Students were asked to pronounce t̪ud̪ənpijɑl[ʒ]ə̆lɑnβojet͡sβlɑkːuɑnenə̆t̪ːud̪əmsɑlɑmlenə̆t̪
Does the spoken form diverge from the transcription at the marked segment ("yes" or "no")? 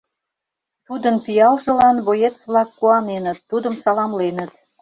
no